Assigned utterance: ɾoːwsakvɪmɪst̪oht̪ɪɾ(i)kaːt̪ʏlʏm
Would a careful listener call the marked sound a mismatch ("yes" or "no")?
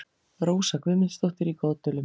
no